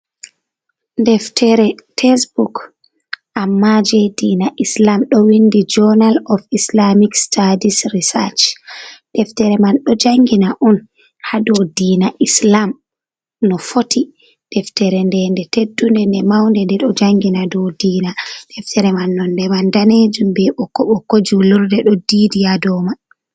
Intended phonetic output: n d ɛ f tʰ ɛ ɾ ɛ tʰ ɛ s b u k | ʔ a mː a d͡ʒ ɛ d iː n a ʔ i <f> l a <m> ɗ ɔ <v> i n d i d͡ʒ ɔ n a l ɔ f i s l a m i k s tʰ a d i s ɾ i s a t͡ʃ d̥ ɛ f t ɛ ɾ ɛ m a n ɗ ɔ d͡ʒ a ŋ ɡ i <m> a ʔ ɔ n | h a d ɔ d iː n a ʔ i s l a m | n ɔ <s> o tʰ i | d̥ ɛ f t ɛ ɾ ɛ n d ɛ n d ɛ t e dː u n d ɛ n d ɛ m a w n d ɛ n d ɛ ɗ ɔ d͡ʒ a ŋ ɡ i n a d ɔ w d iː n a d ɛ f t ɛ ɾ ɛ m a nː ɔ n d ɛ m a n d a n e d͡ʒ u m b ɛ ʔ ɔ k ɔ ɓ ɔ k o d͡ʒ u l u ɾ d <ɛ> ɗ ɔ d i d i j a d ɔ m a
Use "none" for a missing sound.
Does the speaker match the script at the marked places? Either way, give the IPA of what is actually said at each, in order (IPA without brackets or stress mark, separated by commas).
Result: s, m, w, n, f, ɛ